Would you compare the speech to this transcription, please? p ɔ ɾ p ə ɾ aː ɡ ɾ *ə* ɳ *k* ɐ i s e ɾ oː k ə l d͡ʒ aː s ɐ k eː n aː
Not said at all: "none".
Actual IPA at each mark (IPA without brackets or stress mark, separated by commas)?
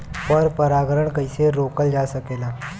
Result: ə, k